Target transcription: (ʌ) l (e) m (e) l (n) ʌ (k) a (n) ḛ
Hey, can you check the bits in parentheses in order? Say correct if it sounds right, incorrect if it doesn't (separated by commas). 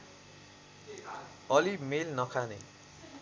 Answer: correct, incorrect, correct, correct, incorrect, correct